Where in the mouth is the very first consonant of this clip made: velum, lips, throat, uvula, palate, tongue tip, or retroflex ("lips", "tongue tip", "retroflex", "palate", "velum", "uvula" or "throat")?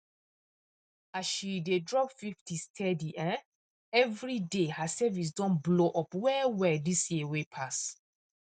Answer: tongue tip